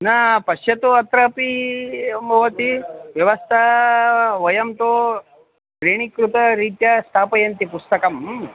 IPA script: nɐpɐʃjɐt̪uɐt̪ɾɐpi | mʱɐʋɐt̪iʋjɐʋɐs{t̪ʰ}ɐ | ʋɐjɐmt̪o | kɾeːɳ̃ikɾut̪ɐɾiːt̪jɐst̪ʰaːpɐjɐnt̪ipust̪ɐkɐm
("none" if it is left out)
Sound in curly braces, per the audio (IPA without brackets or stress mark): t̪ʰ